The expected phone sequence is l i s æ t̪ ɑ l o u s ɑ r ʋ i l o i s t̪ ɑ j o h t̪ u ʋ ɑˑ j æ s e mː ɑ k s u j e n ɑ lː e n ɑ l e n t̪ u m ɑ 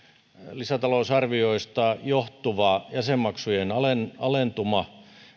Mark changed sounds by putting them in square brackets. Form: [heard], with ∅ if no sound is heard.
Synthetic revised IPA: l i s æ t̪ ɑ l o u s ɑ r ʋ i [∅] o i s t̪ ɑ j o h t̪ u ʋ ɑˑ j æ s e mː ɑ k s u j e n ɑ [l] e n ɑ l e n t̪ u m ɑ